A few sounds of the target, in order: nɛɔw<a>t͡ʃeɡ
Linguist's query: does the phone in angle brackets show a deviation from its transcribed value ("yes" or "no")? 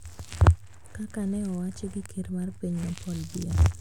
no